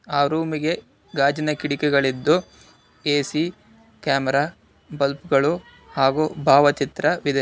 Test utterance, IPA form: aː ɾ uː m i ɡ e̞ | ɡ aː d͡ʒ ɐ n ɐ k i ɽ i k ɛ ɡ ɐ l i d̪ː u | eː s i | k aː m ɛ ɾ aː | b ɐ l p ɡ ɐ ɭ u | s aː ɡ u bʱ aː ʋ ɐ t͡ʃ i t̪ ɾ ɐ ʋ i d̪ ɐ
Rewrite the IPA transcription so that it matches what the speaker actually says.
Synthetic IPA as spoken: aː ɾ uː m i ɡ e̞ | ɡ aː d͡ʒ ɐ n ɐ k i ɽ i k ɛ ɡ ɐ ɭ i d̪ː u | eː s i | k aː m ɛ ɾ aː | b ɐ l p ɡ ɐ ɭ u | h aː ɡ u bʱ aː ʋ ɐ t͡ʃ i t̪ ɾ ɐ ʋ i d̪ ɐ